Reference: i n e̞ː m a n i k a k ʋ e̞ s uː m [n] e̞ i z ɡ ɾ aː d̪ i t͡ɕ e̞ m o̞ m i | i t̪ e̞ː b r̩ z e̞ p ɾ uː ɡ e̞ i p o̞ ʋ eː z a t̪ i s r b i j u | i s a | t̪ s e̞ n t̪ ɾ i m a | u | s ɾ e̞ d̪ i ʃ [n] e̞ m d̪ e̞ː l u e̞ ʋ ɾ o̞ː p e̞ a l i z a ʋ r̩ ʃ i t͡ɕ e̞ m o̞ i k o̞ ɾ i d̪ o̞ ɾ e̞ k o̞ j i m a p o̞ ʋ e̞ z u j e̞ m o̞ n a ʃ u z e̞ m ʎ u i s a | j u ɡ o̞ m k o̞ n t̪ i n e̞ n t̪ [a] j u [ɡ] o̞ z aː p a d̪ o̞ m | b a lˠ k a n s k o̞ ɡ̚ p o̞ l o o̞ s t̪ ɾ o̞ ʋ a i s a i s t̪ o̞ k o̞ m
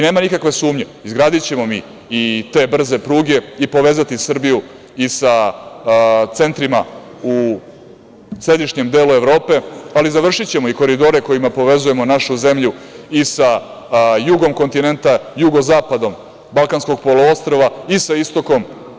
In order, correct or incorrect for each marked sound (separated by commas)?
incorrect, incorrect, correct, correct